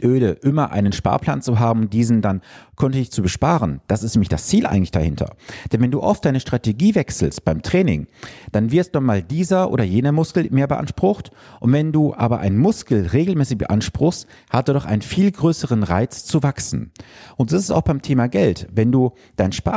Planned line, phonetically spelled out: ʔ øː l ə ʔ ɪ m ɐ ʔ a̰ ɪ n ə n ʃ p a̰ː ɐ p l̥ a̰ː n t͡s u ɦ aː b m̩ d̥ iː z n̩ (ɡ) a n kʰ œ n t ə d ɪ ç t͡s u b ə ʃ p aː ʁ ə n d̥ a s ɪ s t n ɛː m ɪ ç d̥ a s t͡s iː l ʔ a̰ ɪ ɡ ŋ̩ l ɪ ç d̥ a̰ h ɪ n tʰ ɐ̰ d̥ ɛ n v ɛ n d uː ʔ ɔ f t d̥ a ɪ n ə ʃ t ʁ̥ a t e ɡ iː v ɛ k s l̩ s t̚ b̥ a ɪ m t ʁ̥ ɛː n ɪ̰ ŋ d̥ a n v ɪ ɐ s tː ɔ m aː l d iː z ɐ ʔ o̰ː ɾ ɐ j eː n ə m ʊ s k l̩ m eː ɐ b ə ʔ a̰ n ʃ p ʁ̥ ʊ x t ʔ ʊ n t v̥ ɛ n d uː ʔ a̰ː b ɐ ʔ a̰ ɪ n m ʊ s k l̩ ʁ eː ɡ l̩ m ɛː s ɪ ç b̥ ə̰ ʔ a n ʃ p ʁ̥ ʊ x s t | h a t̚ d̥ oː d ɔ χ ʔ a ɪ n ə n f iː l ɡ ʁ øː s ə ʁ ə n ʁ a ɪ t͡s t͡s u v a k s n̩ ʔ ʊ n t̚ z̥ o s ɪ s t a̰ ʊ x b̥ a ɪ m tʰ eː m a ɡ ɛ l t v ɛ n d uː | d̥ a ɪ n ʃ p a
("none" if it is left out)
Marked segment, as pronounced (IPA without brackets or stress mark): d